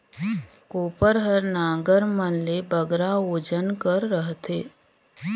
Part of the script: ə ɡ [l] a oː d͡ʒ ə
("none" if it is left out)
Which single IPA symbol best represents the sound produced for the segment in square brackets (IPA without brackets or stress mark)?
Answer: ɾ